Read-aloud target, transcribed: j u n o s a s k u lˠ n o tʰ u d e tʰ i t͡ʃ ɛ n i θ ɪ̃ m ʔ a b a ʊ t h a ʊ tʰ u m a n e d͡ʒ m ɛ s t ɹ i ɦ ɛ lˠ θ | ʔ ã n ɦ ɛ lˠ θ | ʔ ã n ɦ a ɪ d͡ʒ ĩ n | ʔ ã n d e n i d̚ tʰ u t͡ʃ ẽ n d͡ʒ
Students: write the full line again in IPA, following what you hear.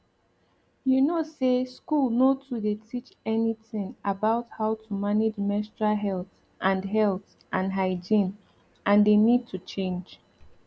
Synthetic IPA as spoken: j u n o s e s k u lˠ n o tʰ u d e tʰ i t͡ʃ ɛ n i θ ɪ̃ ŋ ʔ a b a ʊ t h a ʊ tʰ u m a n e d͡ʒ m ɛ s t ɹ a ɦ ɛ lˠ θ | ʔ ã n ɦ ɛ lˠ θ | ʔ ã n ɦ a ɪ d͡ʒ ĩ n | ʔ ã n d e n i d̚ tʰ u t͡ʃ ẽ n d͡ʒ

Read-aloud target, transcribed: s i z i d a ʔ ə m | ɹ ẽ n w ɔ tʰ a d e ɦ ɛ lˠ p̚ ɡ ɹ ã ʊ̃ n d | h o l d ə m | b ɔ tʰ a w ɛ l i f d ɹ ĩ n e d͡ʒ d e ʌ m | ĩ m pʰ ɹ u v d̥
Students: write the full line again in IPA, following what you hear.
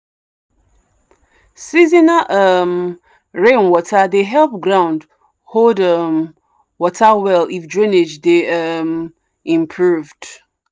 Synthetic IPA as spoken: s i z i n a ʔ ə m | ɹ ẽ n w ɔ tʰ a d e ɦ ɛ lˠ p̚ ɡ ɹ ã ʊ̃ n d | h o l d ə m | w ɔ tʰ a w ɛ l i f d ɹ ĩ n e d͡ʒ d e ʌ m | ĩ m pʰ ɹ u v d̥

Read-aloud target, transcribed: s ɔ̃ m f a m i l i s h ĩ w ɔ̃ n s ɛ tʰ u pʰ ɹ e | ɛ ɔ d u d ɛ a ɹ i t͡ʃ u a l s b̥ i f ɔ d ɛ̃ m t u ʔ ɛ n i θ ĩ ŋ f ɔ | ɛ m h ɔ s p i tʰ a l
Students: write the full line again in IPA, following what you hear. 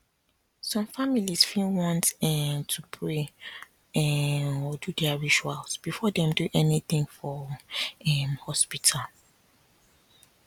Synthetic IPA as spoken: s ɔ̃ m f a m i l i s f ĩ w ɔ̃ n t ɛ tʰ u pʰ ɹ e | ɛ ɔ d u d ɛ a ɹ i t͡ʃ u a l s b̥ i f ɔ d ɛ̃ m d u ʔ ɛ n i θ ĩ ŋ f ɔ | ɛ m h ɔ s p i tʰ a l

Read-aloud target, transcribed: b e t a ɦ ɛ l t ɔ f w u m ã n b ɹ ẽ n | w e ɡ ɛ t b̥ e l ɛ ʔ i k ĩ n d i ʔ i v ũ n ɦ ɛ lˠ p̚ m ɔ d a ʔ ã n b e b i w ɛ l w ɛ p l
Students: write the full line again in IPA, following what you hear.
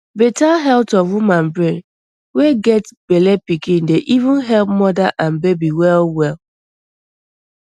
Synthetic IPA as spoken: b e t a ɦ ɛ l t ɔ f w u m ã n b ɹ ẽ n | w e ɡ ɛ t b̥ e l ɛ p i k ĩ n d e ʔ i v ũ n ɦ ɛ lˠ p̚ m ɔ d a ʔ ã n b e b i w ɛ l w ɛ l

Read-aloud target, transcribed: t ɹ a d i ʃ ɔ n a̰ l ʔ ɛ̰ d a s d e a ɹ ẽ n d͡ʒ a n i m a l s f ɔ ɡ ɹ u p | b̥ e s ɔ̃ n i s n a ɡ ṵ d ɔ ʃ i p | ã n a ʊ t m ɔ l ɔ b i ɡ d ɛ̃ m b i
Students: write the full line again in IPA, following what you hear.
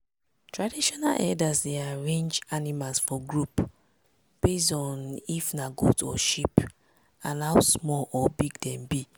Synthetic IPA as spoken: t ɹ a d i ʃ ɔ n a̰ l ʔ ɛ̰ d a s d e a ɹ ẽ n d͡ʒ a n i m a l s f ɔ ɡ ɹ u p | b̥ e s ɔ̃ n i f n a ɡ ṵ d ɔ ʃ i p | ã n a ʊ s m ɔ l ɔ b i ɡ d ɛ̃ m b i

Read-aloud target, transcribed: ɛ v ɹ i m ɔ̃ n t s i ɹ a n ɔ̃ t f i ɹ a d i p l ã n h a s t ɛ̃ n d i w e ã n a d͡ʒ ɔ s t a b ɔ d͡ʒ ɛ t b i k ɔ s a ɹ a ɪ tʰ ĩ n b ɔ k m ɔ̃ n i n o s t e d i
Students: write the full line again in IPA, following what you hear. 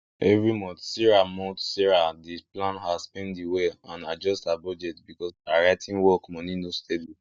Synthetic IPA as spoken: ɛ v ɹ i m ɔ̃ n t s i ɹ a m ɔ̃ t s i ɹ a d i p l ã n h a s p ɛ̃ n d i w e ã n a d͡ʒ ɔ s t a b ɔ d͡ʒ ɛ t b i k ɔ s a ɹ a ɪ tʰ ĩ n w ɔ k m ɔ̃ n i n o s t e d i

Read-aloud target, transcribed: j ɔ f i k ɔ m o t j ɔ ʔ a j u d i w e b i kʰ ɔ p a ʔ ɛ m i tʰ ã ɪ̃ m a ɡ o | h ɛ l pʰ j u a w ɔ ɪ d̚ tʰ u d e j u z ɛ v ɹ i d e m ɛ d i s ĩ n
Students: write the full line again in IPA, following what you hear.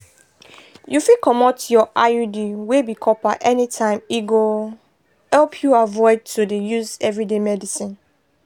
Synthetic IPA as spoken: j u f i k ɔ m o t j ɔ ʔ a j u d i w e b i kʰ ɔ p a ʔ ɛ n i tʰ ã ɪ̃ m i ɡ o | h ɛ l pʰ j u a v ɔ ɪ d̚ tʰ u d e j u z ɛ v ɹ i d e m ɛ d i s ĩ n

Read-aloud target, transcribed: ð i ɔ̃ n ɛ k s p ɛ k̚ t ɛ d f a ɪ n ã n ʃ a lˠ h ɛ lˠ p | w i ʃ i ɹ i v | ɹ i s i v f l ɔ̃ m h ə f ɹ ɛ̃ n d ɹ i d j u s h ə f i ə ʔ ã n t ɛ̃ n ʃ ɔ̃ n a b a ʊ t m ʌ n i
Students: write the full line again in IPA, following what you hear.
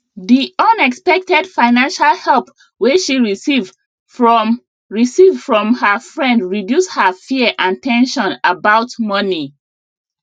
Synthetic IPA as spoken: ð i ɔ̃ n ɛ k s p ɛ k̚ t ɛ d f a ɪ n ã n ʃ a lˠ h ɛ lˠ p | w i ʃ i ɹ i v | ɹ i s i v f ɹ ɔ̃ m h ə f ɹ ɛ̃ n d ɹ i d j u s h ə f i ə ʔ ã n t ɛ̃ n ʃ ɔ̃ n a b a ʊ t m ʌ n i

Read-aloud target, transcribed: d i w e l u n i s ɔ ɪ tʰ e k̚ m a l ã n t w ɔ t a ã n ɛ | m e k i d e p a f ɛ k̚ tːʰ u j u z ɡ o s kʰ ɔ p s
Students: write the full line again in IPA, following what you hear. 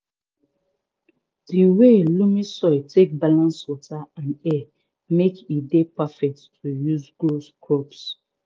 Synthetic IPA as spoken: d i w e l u m i s ɔ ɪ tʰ e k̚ b a l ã n s w ɔ t a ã n ɛ | m e k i d e p a f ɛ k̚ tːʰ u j u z ɡ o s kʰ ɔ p s

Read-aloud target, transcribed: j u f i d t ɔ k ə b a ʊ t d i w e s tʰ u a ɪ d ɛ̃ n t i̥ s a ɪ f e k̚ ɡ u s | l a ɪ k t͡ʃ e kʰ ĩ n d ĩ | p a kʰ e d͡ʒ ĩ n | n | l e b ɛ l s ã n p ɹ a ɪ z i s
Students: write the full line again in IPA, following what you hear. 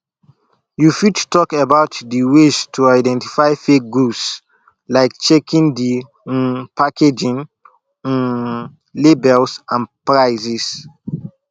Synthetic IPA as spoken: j u f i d t ɔ k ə b a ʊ t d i w e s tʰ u a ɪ d ɛ̃ n t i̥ f a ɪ f e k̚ ɡ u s | l a ɪ k t͡ʃ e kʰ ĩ n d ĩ | p a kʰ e d͡ʒ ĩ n | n | l e b ɛ l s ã n p ɹ a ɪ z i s

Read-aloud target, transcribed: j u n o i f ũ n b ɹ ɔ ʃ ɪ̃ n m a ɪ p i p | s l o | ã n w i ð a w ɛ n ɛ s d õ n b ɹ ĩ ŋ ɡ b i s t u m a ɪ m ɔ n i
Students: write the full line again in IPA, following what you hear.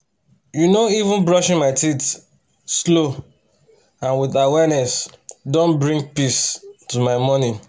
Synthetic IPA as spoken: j u n o i v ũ n b ɹ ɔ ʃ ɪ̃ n m a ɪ t i t | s l o | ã n w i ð a w ɛ n ɛ s d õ n b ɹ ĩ ŋ ɡ p i s t u m a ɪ m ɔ n i

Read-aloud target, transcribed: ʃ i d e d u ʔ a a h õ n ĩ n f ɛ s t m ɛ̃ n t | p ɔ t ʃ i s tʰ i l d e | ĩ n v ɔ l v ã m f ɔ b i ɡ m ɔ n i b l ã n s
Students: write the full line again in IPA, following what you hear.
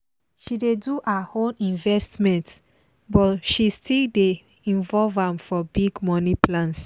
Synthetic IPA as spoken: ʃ i d e d u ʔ a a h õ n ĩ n v ɛ s t m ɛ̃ n t | b ɔ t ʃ i s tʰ i l d e | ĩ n v ɔ l v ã m f ɔ b i ɡ m ɔ n i p l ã n s

